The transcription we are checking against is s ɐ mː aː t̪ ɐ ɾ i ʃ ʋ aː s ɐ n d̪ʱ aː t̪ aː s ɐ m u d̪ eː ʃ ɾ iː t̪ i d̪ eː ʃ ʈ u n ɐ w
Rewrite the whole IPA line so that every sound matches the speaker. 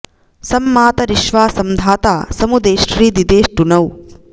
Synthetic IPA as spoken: s ɐ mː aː t̪ ɐ ɾ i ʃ ʋ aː s ɐ m d̪ʱ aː t̪ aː s ɐ m u d̪ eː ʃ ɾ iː d̪ i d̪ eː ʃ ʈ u n ɐ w